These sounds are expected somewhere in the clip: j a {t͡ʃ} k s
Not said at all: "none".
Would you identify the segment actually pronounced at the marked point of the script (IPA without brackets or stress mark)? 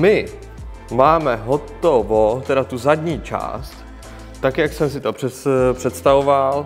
none